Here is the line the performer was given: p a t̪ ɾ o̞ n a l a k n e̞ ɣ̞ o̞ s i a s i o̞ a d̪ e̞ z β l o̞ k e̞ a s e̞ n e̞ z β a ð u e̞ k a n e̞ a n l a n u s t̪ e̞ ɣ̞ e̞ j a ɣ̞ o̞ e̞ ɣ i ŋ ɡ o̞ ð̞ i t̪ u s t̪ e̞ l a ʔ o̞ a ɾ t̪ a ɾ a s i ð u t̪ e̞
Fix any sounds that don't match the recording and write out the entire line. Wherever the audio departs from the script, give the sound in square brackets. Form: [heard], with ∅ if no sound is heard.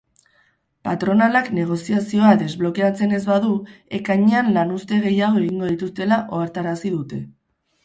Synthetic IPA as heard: p a t̪ ɾ o̞ n a l a k n e̞ ɣ̞ o̞ s i a s i o̞ a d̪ e̞ z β l o̞ k e̞ a [t͡s] e̞ n e̞ z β a ð u e̞ k a [ɲ] e̞ a n l a n u s t̪ e̞ ɣ̞ e̞ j a ɣ̞ o̞ e̞ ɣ i ŋ ɡ o̞ ð̞ i t̪ u s t̪ e̞ l a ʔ o̞ a ɾ t̪ a ɾ a s i ð u t̪ e̞